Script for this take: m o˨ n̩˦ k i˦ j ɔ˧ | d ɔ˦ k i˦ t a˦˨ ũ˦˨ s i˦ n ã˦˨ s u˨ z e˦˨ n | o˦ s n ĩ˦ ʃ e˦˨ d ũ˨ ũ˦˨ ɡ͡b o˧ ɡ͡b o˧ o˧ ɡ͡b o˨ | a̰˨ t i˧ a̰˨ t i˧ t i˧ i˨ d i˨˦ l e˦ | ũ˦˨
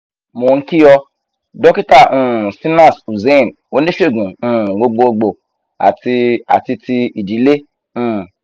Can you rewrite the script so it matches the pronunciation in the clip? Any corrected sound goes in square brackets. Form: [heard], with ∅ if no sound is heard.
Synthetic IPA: m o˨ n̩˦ k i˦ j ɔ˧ | d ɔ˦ k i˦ t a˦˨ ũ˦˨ s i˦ n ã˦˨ s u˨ z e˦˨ n | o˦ [∅] n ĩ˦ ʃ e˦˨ [ɡ] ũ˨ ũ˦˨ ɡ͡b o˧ ɡ͡b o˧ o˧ ɡ͡b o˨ | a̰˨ t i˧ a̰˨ t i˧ t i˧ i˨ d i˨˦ l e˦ | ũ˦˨